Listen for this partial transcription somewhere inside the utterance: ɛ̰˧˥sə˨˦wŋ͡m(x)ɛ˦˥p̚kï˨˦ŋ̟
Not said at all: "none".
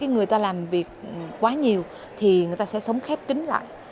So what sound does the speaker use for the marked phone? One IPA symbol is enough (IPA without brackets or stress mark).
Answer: x